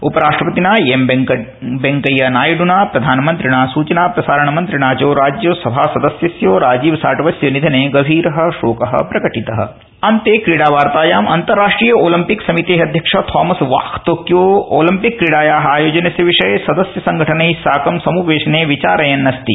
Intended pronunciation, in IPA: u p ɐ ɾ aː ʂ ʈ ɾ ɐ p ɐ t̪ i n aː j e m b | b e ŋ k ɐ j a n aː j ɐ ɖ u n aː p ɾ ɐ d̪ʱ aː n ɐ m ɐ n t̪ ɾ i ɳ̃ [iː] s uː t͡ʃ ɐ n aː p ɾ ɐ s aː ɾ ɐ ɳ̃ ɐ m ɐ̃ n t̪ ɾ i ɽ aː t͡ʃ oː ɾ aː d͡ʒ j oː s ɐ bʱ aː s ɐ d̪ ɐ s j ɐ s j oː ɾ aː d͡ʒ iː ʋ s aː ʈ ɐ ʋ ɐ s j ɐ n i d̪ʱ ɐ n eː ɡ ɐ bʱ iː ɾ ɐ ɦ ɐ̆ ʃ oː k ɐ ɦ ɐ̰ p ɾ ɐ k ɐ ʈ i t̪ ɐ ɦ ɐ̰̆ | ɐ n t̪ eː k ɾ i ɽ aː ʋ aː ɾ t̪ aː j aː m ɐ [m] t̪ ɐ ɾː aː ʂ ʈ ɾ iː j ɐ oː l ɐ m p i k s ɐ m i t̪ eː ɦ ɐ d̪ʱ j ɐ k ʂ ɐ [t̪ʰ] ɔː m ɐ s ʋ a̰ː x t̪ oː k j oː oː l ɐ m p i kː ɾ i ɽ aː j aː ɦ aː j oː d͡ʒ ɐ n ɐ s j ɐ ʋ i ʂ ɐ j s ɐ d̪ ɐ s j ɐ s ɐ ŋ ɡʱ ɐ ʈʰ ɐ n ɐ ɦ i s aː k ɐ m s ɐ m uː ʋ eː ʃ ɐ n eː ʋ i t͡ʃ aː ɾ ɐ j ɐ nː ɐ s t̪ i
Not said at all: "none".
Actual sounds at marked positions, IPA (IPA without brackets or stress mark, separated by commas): aː, n, t̪ʰ